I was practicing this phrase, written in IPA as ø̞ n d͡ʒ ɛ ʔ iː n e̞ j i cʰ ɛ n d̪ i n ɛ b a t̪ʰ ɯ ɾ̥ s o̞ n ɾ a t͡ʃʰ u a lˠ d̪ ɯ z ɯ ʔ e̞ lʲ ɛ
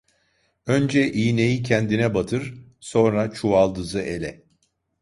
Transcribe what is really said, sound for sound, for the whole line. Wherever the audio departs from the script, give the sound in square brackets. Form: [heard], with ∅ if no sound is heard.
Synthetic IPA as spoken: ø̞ n d͡ʒ ɛ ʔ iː n e̞ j i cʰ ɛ n d̪ i n ɛ b a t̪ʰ ɯ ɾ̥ s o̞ n ɾ a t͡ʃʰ u a lˠ d̪ ɯ z ɯ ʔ e̞ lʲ ɛ